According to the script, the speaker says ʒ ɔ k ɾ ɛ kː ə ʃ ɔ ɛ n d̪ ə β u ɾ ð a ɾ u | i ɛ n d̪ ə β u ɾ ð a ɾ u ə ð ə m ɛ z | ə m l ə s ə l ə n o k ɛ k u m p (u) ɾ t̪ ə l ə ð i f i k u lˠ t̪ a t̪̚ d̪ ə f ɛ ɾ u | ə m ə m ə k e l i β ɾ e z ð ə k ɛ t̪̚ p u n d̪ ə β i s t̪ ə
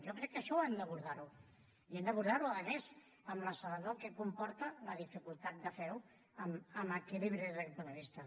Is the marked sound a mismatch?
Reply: yes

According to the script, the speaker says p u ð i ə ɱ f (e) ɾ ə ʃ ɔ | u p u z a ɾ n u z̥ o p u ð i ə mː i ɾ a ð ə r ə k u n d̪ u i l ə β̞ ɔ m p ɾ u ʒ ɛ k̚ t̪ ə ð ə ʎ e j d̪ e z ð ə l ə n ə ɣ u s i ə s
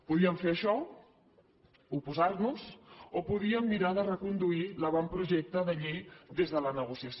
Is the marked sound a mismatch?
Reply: no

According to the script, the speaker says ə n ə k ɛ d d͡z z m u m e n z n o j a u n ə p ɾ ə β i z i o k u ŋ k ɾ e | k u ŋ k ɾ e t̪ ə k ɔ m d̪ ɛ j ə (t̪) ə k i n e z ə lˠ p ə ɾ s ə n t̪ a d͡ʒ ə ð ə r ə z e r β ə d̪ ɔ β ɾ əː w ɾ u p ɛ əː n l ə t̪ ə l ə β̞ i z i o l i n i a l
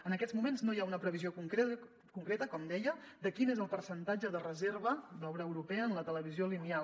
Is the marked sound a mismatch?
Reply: yes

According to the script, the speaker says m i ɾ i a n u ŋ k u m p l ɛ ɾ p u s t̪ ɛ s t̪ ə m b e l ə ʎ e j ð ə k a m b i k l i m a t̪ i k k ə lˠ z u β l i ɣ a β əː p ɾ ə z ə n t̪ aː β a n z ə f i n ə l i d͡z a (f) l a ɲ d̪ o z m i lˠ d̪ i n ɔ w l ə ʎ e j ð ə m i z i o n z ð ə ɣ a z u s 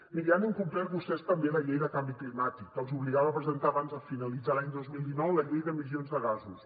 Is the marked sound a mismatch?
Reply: yes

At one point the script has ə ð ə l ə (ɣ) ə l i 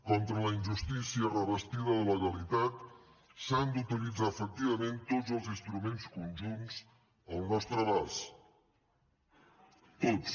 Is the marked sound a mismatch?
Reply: no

